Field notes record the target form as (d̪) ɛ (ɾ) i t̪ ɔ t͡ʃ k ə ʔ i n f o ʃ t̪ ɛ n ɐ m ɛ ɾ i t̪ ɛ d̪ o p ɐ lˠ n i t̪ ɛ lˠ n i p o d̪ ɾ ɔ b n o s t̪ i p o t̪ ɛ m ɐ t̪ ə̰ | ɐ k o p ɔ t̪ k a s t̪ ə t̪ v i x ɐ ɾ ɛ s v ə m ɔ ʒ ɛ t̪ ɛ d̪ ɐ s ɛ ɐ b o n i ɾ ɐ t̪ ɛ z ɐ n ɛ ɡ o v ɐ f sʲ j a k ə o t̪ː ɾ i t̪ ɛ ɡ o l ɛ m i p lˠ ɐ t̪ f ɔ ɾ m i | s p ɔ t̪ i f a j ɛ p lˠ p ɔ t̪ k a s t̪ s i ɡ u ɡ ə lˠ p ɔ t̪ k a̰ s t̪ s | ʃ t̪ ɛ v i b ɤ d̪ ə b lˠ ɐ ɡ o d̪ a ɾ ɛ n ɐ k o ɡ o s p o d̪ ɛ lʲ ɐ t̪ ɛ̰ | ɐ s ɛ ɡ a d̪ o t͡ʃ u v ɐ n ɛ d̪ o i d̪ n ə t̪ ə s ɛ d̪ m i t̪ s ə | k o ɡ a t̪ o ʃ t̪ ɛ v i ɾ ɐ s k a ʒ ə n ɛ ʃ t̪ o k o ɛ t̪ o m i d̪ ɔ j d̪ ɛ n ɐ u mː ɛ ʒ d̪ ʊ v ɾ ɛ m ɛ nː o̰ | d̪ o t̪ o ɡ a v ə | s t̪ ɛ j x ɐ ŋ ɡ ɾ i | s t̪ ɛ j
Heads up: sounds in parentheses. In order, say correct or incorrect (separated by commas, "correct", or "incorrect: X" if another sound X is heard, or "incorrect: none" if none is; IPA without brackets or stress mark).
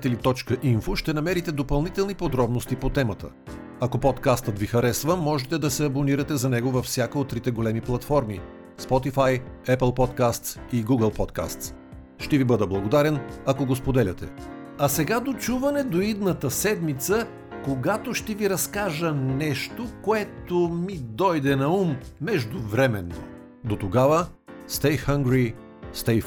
incorrect: t̪, incorrect: l